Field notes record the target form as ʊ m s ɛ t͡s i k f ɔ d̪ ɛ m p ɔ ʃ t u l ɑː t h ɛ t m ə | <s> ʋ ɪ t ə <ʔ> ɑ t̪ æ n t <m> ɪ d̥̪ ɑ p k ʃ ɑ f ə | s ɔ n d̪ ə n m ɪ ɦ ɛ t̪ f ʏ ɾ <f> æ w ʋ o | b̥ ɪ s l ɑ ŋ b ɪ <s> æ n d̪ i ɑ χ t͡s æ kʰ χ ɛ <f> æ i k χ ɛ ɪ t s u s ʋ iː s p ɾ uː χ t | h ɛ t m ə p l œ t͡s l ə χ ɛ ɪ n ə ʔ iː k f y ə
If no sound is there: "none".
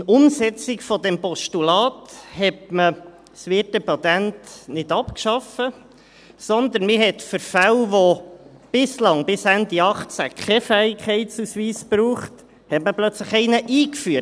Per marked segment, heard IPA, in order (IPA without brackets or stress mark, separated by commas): s, p, n, f, s, f